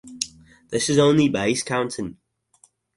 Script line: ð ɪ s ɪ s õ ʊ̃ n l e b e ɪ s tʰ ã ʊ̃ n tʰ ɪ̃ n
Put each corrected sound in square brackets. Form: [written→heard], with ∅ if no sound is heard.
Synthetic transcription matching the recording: ð ɪ s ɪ [s→z] õ ʊ̃ n l [e→i] b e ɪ s [tʰ→kʰ] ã ʊ̃ n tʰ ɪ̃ n